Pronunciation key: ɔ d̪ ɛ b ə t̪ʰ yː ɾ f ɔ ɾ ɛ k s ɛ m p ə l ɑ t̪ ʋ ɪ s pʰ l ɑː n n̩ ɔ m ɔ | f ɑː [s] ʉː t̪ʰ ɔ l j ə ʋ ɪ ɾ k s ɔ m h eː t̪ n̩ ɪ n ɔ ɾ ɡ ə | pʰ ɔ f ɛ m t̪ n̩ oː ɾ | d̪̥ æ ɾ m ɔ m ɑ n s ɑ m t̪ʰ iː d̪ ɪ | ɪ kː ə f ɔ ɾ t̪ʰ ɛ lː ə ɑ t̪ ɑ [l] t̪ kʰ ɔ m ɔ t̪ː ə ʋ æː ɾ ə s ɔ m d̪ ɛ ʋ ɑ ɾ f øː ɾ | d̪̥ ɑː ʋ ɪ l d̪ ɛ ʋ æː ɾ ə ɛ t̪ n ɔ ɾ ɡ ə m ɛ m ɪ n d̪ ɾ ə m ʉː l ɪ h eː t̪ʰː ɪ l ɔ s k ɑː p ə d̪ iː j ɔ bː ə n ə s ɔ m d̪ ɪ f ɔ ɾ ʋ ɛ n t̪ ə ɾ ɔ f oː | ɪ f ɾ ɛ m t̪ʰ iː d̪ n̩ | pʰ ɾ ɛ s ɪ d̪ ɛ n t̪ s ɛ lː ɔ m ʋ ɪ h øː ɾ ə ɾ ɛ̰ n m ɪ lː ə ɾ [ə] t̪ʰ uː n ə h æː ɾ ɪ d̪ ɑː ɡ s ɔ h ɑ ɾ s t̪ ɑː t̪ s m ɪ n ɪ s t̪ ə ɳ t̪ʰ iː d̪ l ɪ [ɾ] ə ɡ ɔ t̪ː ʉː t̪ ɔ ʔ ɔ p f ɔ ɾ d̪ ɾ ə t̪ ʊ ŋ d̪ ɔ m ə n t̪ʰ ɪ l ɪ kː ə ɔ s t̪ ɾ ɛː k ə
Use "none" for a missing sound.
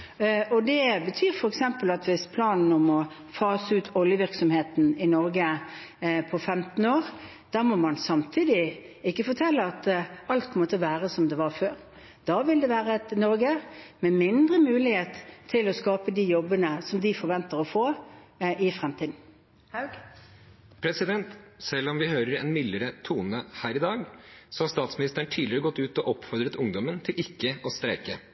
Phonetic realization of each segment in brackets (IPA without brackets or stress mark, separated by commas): s, l, ə, ɾ